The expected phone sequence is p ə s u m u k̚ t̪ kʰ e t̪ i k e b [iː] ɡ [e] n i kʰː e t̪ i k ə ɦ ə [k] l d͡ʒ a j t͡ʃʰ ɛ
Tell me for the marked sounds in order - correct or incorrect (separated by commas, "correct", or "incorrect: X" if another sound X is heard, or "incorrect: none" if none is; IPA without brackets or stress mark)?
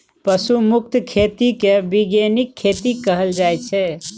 incorrect: i, correct, incorrect: none